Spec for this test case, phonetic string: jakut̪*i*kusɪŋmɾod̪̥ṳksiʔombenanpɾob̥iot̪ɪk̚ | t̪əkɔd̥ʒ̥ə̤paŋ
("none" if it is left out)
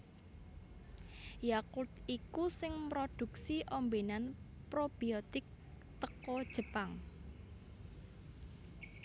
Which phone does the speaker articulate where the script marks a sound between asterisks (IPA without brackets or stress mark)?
i